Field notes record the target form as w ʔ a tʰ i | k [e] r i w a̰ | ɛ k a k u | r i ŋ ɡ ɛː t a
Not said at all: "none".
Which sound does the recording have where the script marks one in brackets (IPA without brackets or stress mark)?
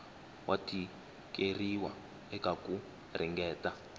e